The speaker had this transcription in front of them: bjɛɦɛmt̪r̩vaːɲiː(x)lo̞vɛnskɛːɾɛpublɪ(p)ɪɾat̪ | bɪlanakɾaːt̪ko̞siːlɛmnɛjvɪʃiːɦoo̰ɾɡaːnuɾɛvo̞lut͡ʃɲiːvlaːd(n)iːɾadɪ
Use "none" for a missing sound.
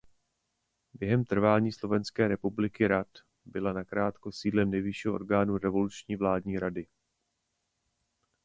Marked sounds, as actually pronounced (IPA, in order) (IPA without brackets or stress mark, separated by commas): s, k, ɲ